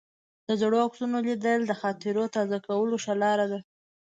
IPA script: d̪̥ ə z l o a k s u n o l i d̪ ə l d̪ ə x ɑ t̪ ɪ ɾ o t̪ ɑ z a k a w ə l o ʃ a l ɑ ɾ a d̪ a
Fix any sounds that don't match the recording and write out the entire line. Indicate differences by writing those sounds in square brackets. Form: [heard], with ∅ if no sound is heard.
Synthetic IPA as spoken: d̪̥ ə z [ɽ] o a k s u n o l i d̪ ə l d̪ ə x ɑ t̪ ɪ ɾ o t̪ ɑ z a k a w ə l o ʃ a l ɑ ɾ a d̪ a